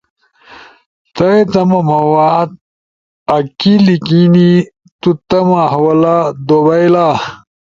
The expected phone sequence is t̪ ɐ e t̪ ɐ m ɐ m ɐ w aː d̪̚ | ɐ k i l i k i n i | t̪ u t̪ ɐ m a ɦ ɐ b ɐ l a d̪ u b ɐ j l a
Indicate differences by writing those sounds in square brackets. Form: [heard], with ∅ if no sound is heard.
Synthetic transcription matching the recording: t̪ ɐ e t̪ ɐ m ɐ m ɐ w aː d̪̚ | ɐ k i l i k i n i | t̪ u t̪ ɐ m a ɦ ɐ [w] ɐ l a d̪ [o] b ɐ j l a